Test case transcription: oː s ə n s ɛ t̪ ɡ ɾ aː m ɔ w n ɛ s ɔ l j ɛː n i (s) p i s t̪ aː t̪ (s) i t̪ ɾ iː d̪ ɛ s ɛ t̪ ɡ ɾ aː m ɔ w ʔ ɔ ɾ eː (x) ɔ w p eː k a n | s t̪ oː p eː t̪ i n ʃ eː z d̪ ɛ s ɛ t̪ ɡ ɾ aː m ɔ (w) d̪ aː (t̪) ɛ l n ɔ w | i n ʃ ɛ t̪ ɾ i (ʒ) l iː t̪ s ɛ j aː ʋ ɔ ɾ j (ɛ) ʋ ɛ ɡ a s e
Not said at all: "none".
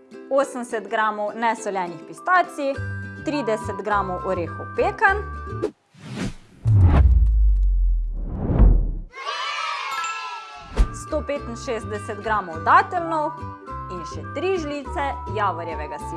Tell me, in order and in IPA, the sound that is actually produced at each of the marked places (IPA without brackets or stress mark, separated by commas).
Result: x, s, x, w, t̪, ʒ, ɛ